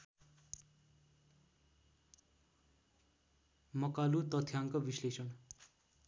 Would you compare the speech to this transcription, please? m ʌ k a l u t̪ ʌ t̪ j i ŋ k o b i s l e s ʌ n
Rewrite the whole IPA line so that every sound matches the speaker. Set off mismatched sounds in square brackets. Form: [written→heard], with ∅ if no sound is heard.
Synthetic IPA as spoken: m ʌ k a l u t̪ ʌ [t̪→t̪ʰ] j [i→a] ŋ k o b i s l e s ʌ n